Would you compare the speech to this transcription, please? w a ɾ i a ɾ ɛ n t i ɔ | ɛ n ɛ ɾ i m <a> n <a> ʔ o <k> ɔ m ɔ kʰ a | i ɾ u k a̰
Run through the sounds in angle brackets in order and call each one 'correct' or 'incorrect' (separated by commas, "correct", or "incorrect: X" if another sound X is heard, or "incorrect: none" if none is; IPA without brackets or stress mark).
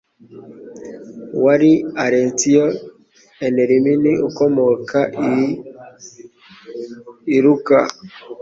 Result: incorrect: i, incorrect: i, correct